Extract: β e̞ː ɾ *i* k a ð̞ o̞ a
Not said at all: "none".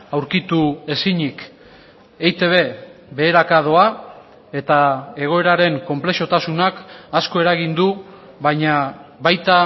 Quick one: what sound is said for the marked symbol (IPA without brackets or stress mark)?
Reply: a